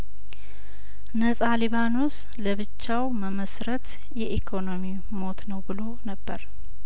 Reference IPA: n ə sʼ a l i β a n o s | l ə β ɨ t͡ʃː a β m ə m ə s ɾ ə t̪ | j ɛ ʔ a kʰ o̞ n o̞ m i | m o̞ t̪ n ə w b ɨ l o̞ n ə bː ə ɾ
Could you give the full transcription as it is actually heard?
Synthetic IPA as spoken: n ə sʼ a l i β a n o s | l ə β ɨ t͡ʃː a w m ə m ə s ɾ ə t̪ | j ɛ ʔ i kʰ o̞ n o̞ m i | m o̞ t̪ n ə w b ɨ l o̞ n ə bː ə ɾ